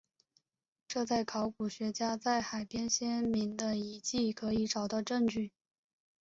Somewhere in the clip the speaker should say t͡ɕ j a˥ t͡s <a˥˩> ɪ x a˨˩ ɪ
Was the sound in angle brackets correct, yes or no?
yes